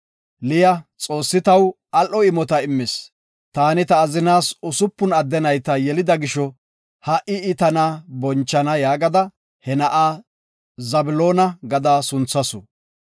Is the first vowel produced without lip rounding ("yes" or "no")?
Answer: yes